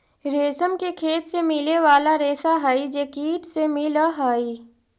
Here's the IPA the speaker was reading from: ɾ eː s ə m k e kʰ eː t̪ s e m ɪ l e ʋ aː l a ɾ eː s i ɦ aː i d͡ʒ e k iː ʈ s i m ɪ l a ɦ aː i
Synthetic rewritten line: ɾ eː s ə m k e kʰ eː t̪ s e m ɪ l e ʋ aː l a ɾ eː s a ɦ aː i d͡ʒ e k iː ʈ s e m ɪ l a ɦ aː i